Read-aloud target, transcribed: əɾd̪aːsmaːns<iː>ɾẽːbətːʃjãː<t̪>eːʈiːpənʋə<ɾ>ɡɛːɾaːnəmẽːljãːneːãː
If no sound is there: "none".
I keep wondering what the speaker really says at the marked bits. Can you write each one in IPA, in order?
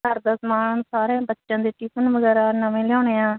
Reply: aː, d̪, none

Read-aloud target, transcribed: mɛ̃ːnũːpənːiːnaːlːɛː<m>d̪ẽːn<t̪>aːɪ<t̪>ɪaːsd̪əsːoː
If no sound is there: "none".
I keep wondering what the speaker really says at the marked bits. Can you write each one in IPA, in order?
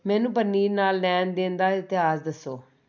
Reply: n, d̪, t̪

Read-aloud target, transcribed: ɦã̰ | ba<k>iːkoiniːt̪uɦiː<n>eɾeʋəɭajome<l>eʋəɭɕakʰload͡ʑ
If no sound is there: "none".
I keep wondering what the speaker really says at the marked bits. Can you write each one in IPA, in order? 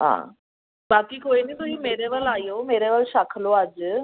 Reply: k, m, ɾ

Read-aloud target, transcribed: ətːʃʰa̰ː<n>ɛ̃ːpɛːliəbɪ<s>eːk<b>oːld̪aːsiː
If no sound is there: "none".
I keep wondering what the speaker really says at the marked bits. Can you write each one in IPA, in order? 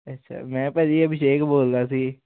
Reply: m, ʃ, b

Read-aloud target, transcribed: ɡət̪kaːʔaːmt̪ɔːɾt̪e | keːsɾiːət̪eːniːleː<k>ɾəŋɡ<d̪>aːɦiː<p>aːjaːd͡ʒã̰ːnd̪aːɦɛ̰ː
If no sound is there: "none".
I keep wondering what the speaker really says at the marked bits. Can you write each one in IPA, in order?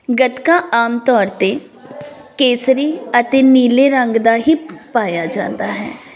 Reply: none, d̪, p

